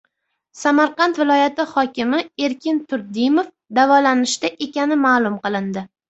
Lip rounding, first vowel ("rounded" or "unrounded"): unrounded